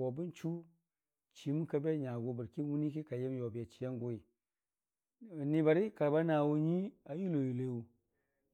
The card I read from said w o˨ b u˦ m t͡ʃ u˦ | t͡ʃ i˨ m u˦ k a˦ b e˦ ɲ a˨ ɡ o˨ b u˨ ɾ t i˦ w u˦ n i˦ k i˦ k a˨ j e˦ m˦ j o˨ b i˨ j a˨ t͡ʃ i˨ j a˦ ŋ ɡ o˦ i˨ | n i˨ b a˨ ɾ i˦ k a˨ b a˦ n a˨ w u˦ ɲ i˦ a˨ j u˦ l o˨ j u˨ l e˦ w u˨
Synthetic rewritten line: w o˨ b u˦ n t͡ʃ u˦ | t͡ʃ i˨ m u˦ k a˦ b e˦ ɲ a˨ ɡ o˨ b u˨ ɾ k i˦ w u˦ n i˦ k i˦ k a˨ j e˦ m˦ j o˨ b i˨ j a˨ t͡ʃ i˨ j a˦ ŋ ɡ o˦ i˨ | n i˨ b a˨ ɾ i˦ k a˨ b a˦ n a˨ w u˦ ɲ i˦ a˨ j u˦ l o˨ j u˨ l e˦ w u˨